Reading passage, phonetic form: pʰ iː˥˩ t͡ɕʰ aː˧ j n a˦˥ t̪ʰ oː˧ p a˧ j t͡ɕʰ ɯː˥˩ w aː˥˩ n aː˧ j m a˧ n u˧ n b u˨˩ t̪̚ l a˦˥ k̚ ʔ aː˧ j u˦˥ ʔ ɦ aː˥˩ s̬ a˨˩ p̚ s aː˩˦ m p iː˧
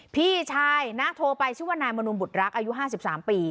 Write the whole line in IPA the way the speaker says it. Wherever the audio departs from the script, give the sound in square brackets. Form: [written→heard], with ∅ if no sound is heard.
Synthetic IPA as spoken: pʰ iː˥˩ t͡ɕʰ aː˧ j n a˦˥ t̪ʰ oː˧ p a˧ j t͡ɕʰ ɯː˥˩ w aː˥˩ n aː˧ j m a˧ n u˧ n b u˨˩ t̪̚ [l→ɾ] a˦˥ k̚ ʔ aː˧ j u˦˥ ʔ ɦ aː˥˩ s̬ [a˨˩→i˨˩] p̚ s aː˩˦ m p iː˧